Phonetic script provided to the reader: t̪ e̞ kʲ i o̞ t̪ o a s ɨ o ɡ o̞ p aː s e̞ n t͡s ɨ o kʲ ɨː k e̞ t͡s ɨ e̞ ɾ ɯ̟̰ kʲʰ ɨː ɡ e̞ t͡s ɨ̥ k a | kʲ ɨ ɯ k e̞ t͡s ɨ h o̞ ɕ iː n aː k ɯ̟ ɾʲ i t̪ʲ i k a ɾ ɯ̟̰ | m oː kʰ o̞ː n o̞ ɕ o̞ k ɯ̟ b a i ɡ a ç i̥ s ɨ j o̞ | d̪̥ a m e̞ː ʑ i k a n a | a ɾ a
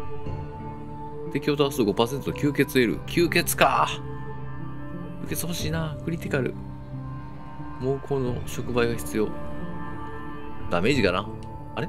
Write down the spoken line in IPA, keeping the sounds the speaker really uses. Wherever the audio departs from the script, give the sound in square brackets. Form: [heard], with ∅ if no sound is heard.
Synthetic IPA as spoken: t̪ e̞ kʲ i o̞ t̪ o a s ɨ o ɡ o̞ p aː s e̞ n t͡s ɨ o kʲ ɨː k e̞ t͡s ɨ e̞ ɾ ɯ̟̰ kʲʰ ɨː [k] e̞ t͡s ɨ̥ k a | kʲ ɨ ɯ k e̞ t͡s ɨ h o̞ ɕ iː n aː k ɯ̟ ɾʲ i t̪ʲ i k a ɾ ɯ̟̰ | m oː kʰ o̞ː n o̞ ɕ o̞ k ɯ̟ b a i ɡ a ç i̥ [t͡s] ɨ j o̞ | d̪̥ a m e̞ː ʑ i k a n a | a ɾ [e]